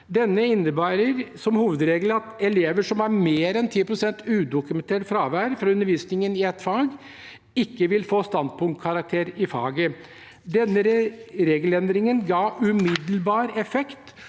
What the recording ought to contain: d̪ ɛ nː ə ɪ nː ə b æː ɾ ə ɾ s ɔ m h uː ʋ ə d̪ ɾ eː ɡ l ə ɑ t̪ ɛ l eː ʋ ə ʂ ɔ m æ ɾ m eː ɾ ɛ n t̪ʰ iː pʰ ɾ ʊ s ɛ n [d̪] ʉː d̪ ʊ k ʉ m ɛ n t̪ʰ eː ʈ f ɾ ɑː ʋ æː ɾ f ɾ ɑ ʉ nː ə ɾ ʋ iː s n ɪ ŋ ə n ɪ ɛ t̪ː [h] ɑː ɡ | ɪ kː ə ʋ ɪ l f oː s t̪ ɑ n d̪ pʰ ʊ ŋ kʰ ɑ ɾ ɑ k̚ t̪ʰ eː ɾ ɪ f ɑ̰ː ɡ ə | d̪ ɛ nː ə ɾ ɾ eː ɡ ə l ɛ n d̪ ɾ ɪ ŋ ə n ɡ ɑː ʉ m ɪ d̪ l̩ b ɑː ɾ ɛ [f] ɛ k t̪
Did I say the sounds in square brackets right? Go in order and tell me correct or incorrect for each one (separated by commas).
incorrect, incorrect, correct